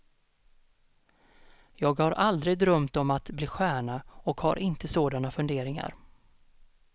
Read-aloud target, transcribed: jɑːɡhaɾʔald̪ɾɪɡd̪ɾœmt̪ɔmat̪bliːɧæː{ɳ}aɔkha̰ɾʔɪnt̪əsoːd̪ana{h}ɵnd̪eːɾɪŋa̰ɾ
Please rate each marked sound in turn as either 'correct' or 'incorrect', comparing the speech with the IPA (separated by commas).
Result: correct, incorrect